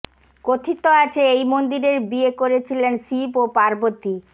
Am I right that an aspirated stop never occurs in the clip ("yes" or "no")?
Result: no